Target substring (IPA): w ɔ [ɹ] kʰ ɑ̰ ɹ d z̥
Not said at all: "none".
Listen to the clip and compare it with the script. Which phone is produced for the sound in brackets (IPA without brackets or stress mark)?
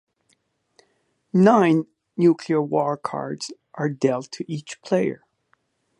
ɹ